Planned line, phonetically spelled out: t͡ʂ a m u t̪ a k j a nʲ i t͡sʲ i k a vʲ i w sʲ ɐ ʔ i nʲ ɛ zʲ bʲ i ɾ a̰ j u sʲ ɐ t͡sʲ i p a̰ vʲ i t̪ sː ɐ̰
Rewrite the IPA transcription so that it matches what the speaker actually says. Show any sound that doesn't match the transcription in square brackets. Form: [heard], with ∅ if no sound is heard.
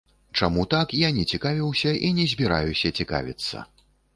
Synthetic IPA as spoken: t͡ʂ a m u t̪ a k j a nʲ [ɛ] t͡sʲ i k a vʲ i w sʲ ɐ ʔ i nʲ ɛ zʲ bʲ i ɾ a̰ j u sʲ ɐ t͡sʲ i [k] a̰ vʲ i t̪ sː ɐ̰

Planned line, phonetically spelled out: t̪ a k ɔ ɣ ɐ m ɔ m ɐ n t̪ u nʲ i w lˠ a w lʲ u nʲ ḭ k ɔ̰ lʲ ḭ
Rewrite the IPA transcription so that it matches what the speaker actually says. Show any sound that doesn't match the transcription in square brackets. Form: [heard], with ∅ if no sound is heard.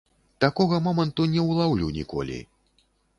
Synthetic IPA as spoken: t̪ a k ɔ ɣ ɐ m ɔ m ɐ n t̪ u nʲ [ɛ] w lˠ a w lʲ u nʲ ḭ k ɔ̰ lʲ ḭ

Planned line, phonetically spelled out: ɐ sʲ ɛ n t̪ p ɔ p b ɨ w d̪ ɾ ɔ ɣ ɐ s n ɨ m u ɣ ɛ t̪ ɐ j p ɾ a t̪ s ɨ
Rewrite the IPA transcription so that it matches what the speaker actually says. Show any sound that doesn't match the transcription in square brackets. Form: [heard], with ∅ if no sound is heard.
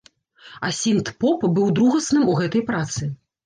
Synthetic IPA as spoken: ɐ sʲ [i] n t̪ p ɔ p b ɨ w d̪ ɾ [u] ɣ ɐ s n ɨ m u ɣ ɛ t̪ ɐ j p ɾ a t̪ s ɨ

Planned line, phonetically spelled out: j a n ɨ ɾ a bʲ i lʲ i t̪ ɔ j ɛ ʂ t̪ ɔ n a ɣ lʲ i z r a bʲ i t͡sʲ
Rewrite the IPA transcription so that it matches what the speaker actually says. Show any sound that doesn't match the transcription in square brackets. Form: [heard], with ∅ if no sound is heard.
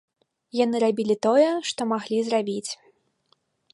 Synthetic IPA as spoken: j a n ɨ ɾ a bʲ i lʲ i t̪ ɔ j ɛ ʂ t̪ ɔ [m] a ɣ lʲ i z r a bʲ i t͡sʲ

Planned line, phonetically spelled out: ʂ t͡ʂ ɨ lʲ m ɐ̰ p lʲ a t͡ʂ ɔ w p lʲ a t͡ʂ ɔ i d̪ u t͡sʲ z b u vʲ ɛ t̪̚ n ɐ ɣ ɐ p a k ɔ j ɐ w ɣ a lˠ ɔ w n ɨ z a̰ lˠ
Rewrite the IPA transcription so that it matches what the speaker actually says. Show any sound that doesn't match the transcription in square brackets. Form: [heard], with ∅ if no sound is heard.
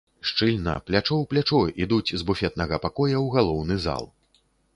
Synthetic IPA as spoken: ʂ t͡ʂ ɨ lʲ [n] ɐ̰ p lʲ a t͡ʂ ɔ w p lʲ a t͡ʂ ɔ i d̪ u t͡sʲ z b u [fʲ] ɛ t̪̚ n ɐ ɣ ɐ p a k ɔ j ɐ w ɣ a lˠ ɔ w n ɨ z a̰ lˠ

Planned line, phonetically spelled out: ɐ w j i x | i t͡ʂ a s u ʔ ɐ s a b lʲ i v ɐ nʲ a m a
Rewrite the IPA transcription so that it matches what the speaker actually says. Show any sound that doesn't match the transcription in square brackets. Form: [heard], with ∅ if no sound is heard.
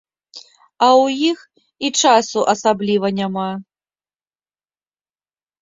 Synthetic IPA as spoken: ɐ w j i x | i t͡ʂ a s u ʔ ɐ s a b lʲ i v ɐ nʲ a m a

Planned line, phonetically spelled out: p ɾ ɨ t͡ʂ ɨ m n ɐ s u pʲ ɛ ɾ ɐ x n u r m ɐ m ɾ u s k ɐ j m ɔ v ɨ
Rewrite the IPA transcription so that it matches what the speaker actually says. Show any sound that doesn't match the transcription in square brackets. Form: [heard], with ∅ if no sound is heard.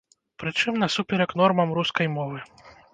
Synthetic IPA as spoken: p ɾ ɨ t͡ʂ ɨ m n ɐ s u pʲ ɛ ɾ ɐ [k] n [ɔ] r m ɐ m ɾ u s k ɐ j m ɔ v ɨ

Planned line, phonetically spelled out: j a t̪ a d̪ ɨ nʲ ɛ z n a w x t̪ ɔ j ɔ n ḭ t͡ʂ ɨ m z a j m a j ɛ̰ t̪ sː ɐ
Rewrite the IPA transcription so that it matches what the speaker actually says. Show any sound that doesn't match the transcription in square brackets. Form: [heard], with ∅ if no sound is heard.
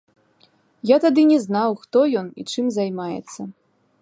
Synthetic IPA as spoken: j a t̪ a d̪ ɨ nʲ ɛ z n a w x t̪ ɔ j ɔ n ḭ t͡ʂ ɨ m z a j m a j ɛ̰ t̪ sː ɐ

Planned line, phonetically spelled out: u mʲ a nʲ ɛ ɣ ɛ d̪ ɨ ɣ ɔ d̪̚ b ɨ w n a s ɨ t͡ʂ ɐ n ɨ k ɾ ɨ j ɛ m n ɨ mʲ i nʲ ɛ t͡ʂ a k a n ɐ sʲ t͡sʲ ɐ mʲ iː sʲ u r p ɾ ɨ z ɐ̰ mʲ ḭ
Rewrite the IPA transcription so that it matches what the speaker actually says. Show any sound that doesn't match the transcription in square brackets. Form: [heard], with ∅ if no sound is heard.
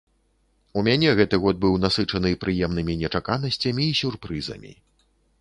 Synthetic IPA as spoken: u mʲ a nʲ ɛ ɣ ɛ [t̪] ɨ ɣ ɔ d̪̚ b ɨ w n a s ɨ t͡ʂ ɐ n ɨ [p] ɾ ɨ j ɛ m n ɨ mʲ i nʲ ɛ t͡ʂ a k a n ɐ sʲ t͡sʲ ɐ mʲ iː sʲ u r p ɾ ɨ z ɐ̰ mʲ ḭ

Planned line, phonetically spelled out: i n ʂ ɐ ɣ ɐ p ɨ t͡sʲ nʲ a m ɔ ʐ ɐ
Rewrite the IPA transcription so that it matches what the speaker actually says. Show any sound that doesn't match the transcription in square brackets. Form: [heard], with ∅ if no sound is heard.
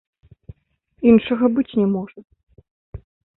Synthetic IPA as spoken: i n ʂ ɐ ɣ ɐ [b] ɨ t͡sʲ nʲ [ɛ] m ɔ ʐ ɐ

